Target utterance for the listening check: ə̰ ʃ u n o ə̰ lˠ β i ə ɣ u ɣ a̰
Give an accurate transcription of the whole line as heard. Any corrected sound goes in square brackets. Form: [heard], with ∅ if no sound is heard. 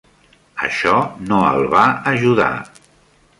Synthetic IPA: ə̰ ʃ [ɔ] n o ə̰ lˠ β [a] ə [ʒ] u [ð] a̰